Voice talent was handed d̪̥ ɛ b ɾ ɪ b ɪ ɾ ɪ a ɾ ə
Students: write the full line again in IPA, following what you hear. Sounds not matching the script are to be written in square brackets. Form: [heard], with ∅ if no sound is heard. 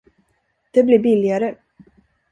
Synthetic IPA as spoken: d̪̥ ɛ b [l] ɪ b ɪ [l] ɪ a ɾ ə